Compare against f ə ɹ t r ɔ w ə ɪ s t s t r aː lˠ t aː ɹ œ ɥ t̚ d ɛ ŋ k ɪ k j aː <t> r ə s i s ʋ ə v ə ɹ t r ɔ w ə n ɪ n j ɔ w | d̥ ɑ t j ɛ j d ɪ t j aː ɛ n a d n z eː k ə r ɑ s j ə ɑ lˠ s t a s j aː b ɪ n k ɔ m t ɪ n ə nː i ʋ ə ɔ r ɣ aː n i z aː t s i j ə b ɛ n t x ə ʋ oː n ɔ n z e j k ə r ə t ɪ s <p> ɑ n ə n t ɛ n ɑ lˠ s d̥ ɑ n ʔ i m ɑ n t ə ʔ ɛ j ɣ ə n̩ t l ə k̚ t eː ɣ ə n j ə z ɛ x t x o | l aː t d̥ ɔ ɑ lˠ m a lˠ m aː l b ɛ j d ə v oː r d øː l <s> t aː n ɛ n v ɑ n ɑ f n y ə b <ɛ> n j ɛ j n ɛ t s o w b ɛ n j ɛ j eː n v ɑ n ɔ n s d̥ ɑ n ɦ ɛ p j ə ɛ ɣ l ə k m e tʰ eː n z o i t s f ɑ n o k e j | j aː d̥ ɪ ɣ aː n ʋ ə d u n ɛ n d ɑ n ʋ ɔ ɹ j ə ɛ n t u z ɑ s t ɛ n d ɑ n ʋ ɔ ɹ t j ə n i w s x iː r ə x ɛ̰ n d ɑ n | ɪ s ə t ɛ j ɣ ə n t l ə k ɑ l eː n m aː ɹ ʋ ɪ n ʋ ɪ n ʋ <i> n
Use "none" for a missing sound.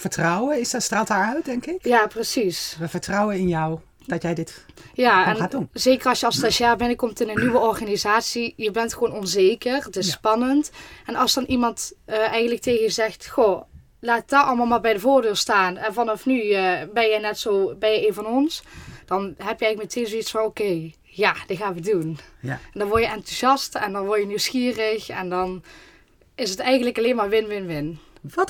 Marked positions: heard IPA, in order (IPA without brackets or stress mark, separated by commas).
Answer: p, p, s, ɛ, ɪ